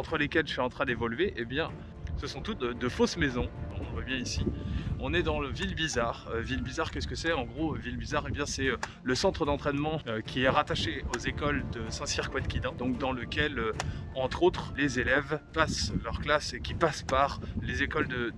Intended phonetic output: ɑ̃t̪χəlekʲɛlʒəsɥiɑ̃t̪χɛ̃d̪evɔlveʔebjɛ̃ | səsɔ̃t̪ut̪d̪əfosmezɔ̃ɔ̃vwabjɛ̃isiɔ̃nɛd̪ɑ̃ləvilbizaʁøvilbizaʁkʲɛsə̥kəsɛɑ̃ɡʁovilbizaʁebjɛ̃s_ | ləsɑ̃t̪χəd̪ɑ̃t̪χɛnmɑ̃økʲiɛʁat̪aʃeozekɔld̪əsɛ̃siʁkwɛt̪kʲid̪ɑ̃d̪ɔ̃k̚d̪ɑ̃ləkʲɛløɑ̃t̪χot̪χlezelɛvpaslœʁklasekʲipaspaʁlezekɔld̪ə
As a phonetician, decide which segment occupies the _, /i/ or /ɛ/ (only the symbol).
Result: ɛ